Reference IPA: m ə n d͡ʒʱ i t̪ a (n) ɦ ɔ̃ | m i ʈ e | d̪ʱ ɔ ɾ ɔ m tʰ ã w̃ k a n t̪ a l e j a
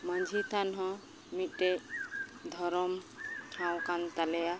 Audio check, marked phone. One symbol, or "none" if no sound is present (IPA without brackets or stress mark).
n